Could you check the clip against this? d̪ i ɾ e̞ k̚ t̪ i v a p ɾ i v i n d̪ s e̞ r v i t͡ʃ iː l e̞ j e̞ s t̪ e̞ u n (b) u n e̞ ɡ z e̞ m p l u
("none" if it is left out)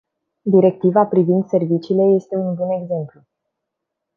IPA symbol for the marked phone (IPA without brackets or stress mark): b